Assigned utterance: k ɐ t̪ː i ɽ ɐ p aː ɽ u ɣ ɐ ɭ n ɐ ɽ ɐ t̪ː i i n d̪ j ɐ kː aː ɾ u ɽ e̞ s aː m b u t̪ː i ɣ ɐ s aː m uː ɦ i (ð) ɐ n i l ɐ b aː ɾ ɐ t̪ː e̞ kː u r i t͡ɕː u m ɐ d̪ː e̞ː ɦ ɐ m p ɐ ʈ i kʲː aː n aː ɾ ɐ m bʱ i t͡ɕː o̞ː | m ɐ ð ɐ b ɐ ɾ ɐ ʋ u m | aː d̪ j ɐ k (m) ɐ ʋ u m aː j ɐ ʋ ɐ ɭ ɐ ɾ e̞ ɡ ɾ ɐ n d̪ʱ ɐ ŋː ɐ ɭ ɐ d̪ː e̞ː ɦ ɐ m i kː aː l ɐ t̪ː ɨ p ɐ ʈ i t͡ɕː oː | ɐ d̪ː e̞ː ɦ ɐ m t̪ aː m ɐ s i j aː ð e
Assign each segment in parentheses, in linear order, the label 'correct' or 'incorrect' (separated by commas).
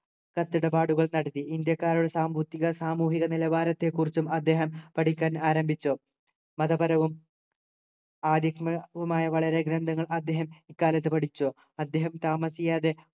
incorrect, correct